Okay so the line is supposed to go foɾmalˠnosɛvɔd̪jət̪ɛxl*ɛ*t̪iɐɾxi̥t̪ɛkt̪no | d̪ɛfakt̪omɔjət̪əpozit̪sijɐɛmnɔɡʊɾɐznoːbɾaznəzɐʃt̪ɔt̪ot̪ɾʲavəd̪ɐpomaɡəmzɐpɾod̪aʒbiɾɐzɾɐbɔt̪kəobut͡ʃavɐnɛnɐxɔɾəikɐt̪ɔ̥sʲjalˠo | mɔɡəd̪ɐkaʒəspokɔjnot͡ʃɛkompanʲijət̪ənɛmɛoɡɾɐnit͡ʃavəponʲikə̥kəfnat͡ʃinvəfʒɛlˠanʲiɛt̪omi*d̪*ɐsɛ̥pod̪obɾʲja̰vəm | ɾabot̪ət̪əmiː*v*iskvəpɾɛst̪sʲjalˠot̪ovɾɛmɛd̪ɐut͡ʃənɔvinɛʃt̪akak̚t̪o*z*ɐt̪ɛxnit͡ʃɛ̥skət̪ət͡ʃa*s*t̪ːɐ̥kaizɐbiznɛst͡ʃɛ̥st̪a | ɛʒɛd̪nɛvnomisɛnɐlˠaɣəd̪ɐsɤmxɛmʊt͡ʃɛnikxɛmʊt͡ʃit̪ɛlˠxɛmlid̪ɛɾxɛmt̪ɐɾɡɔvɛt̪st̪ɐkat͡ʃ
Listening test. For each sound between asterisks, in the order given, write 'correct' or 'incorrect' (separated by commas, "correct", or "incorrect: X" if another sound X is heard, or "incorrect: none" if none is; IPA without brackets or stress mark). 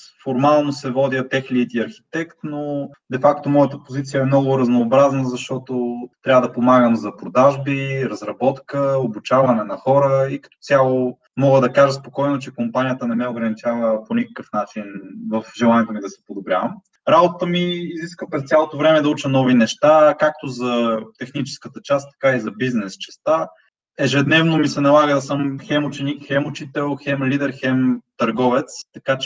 incorrect: i, correct, incorrect: z, correct, correct